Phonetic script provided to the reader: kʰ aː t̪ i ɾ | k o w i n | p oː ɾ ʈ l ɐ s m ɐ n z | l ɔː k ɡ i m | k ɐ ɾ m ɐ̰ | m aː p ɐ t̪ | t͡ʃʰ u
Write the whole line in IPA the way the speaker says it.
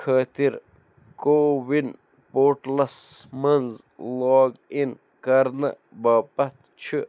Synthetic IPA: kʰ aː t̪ i ɾ | k o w i n | p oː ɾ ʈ l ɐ s m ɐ n z | l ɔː ɡ i n | k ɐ ɾ n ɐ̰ | b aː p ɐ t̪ | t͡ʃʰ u